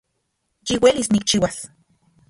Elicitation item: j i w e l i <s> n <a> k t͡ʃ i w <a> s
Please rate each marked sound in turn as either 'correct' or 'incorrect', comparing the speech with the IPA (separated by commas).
correct, incorrect, correct